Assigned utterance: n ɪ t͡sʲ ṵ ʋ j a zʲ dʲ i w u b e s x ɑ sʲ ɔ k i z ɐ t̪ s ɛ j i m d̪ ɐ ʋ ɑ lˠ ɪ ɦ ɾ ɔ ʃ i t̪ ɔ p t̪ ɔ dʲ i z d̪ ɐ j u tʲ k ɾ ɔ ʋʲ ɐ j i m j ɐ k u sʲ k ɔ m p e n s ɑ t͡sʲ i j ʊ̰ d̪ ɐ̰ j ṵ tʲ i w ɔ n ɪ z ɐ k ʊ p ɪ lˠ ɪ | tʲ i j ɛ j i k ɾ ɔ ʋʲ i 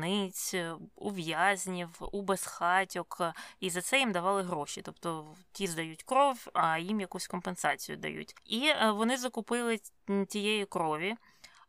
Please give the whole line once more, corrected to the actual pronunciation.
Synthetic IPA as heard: n ɪ t͡sʲ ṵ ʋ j a zʲ nʲ i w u b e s x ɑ tʲ ɔ k i z ɐ t̪ s ɛ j i m d̪ ɐ ʋ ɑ lˠ ɪ ɦ ɾ ɔ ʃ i t̪ ɔ p t̪ ɔ tʲ i z d̪ ɐ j u tʲ k ɾ ɔ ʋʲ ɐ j i m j ɐ k u sʲ k ɔ m p e n s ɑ t͡sʲ i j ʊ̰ d̪ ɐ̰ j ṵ tʲ i ʋ ɔ n ɪ z ɐ k ʊ p ɪ lˠ ɪ | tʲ i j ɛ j i k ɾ ɔ ʋʲ i